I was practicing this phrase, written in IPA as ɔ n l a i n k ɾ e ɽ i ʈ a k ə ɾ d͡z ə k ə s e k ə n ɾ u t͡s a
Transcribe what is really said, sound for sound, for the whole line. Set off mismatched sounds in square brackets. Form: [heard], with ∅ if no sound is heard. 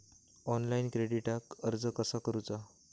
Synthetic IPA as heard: ɔ n l a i n k ɾ e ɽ i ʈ a k ə ɾ d͡z ə k ə s [a] k ə [∅] ɾ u t͡s a